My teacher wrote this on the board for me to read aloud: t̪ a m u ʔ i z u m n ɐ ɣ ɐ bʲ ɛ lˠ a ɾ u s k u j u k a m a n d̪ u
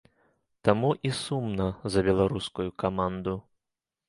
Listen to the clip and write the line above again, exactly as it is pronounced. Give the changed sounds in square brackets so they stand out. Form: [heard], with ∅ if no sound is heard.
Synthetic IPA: t̪ a m u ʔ i [s] u m n ɐ [z] ɐ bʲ ɛ lˠ a ɾ u s k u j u k a m a n d̪ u